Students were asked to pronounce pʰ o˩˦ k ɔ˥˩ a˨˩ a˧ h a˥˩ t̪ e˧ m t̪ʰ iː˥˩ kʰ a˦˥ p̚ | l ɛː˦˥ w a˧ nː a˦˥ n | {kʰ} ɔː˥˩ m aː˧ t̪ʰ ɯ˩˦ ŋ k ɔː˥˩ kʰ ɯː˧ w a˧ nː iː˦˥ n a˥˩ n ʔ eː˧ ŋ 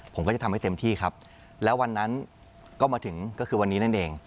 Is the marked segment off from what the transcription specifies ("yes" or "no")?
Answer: yes